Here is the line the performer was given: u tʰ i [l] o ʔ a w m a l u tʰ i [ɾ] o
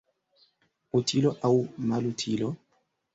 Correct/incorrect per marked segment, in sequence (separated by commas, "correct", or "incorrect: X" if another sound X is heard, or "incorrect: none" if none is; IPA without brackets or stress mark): correct, incorrect: l